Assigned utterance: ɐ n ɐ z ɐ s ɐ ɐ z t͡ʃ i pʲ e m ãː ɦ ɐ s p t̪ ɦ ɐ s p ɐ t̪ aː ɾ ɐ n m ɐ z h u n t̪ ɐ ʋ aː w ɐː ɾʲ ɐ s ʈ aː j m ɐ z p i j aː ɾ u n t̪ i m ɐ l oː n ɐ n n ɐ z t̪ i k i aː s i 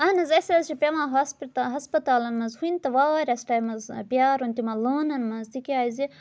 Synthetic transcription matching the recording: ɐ n ɐ z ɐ s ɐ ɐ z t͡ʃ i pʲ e m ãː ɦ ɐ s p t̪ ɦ ɐ s p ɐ t̪ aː l ɐ n m ɐ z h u n t̪ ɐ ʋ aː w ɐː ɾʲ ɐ s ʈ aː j m ɐ z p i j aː ɾ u n t̪ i m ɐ l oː n ɐ n m ɐ z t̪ i k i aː z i